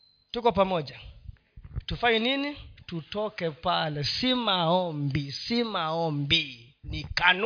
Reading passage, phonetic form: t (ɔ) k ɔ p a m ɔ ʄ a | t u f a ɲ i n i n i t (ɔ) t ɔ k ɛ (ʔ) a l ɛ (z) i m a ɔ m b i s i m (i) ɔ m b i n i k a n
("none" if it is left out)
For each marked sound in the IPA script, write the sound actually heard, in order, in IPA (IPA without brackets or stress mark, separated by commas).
u, u, p, s, a